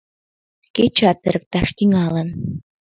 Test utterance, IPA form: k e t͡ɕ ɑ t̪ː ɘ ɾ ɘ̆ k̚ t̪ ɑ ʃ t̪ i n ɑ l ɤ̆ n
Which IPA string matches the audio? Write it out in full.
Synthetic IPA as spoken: k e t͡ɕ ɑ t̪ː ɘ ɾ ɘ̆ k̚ t̪ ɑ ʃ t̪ i ŋ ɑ l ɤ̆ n